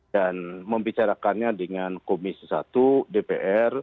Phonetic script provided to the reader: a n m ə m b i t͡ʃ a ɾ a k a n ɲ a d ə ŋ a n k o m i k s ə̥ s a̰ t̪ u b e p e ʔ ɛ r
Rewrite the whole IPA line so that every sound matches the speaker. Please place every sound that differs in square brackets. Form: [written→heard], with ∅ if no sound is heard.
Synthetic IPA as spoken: a n m ə m b i t͡ʃ a ɾ a k a n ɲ a d ə ŋ a n k o m i [k→∅] s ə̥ s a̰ t̪ u [b→d] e p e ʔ ɛ r